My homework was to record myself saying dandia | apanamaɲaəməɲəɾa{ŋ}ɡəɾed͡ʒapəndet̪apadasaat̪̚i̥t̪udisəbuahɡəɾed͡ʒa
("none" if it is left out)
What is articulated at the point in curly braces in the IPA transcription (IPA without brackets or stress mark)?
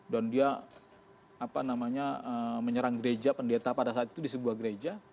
ŋ